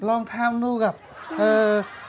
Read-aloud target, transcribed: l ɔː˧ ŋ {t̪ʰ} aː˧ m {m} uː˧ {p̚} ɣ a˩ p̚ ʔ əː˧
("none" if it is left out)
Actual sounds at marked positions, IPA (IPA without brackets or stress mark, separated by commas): t̪ʰ, n, none